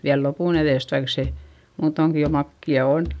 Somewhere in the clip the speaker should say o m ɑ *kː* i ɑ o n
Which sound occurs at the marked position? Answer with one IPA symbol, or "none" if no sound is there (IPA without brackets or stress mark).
kː